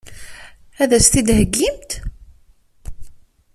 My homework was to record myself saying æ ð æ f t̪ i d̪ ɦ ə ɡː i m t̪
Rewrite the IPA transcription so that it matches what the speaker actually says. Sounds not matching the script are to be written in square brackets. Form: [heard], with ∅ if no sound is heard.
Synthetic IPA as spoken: æ ð æ [s] t̪ i d̪ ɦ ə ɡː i m t̪